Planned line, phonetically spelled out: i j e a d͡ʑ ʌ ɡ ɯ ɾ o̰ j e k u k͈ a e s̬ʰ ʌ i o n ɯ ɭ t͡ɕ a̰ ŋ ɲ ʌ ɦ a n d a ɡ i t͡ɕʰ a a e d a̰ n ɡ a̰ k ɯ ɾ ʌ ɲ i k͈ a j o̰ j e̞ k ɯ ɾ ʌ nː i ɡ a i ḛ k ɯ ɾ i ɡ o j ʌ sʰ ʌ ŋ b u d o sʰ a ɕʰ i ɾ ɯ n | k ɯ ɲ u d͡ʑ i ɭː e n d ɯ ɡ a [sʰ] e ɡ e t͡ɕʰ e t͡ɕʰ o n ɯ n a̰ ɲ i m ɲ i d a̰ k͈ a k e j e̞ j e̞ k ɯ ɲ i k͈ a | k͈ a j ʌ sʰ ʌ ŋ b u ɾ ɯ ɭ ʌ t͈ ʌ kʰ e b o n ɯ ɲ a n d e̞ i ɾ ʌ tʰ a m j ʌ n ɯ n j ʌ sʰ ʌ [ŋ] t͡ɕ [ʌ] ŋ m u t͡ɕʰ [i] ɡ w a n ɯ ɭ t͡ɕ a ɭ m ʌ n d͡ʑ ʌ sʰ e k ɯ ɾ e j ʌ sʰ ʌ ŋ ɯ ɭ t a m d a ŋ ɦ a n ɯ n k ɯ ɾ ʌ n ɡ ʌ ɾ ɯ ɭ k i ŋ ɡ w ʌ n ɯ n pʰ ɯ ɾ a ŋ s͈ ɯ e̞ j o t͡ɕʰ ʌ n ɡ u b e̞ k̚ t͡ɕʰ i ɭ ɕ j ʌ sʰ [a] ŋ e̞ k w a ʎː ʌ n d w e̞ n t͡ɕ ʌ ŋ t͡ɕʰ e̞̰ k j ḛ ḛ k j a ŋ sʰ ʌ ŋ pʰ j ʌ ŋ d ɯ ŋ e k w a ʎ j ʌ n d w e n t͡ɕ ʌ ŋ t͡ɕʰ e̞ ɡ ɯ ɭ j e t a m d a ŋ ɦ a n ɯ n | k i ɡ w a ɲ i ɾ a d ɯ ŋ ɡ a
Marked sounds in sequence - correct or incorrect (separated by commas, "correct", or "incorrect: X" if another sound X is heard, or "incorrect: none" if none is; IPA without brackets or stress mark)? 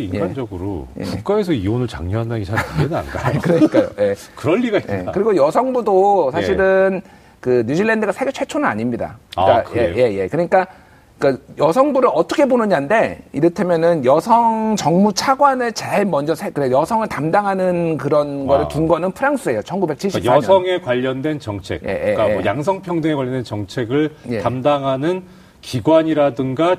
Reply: correct, correct, correct, incorrect: a, incorrect: ʌ